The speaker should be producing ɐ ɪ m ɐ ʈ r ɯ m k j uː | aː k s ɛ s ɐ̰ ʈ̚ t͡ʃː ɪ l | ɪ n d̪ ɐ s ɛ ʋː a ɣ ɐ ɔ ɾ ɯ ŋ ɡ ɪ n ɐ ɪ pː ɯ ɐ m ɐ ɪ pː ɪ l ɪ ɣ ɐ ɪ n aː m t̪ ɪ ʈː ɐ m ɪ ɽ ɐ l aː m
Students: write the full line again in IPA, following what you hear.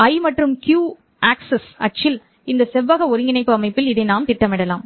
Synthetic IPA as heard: ɐ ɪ m ɐ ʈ r ɯ m k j uː | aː k s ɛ s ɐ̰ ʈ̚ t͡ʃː ɪ l | ɪ n d̪ ɐ s ɛ ʋː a ɣ ɐ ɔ ɾ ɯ ŋ ɡ ɪ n ɐ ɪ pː ɯ ɐ m ɐ ɪ pː ɪ l ɪ ð ɐ ɪ n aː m t̪ ɪ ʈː ɐ m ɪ ɽ ɐ l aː m